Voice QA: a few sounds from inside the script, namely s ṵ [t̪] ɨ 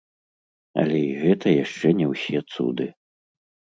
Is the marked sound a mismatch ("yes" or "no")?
yes